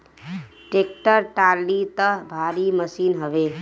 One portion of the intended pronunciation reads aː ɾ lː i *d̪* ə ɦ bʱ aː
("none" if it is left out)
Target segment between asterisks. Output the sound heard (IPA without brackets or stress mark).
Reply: t̪